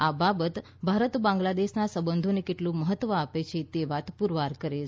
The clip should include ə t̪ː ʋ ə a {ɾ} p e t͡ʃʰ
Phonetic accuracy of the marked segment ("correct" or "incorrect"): incorrect